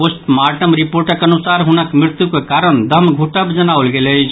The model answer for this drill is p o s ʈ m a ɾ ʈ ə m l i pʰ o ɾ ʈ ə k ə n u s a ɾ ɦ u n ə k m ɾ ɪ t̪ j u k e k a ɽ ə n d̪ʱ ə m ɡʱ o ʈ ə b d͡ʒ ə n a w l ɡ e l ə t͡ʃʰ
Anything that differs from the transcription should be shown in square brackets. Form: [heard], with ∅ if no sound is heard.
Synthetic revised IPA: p o s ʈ m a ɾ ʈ ə m [ɾ] i [p] o ɾ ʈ ə k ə n u s a ɾ ɦ u n ə k m ɾ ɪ t̪ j u k e k a [ɾ] ə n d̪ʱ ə m ɡʱ [u] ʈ ə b d͡ʒ ə n a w l ɡ e l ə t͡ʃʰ